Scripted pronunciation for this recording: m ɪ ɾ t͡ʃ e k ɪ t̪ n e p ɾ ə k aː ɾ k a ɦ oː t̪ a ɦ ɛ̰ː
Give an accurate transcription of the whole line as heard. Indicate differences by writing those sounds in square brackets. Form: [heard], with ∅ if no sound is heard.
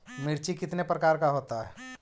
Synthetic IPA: m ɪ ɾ t͡ʃ [i] k ɪ t̪ n e p ɾ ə k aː ɾ k a ɦ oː t̪ a ɦ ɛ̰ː